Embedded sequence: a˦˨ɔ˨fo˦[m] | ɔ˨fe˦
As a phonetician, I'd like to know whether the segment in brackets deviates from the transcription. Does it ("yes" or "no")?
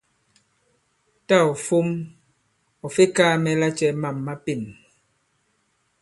no